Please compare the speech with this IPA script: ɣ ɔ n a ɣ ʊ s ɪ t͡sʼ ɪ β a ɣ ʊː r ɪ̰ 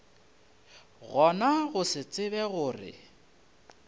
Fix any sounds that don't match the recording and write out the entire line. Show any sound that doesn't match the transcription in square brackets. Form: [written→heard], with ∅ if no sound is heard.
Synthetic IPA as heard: ɣ ɔ n a ɣ ʊ s ɪ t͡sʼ ɪ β [a→ɛ] ɣ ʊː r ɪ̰